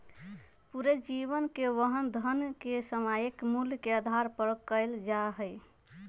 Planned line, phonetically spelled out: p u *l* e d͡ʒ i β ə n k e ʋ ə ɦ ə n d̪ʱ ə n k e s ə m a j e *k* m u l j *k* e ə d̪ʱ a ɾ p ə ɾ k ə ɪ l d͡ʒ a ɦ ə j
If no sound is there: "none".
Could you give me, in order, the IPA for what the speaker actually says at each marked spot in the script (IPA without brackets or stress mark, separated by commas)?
ɾ, k, k